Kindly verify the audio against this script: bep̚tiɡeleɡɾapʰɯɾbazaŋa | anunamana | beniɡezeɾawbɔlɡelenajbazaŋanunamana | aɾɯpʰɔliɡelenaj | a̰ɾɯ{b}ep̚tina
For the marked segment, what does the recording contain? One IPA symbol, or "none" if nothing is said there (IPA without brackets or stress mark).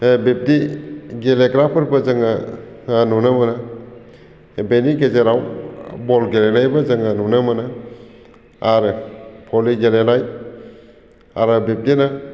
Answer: b